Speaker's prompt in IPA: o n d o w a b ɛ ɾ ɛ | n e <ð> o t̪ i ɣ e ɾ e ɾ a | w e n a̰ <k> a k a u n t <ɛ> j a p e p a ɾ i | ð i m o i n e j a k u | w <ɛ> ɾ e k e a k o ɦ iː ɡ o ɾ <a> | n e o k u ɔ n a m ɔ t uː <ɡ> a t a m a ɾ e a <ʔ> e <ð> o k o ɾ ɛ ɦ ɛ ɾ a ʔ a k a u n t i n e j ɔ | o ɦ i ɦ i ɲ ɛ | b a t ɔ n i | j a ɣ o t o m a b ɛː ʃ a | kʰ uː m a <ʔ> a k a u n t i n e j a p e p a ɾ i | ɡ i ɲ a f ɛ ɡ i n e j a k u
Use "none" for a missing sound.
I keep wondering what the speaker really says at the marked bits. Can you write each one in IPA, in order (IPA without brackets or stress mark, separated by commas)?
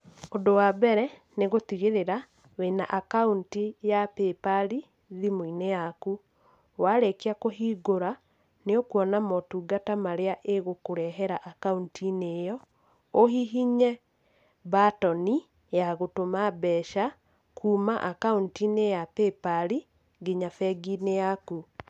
ɣ, ʔ, i, a, a, ɡ, ʔ, ɣ, ʔ